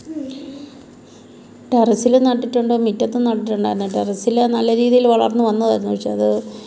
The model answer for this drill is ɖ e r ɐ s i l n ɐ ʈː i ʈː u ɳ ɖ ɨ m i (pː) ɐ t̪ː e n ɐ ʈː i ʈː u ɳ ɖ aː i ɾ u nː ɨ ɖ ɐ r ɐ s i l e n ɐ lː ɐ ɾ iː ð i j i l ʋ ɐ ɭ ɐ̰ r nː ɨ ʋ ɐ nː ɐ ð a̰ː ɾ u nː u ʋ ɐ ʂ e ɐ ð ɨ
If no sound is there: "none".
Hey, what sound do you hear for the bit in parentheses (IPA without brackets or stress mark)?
tː